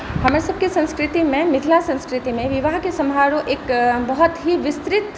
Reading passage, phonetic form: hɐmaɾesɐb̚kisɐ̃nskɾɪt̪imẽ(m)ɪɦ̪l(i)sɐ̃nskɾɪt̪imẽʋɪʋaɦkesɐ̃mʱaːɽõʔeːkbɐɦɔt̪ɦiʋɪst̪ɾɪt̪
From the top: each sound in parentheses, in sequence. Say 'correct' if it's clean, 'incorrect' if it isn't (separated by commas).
correct, incorrect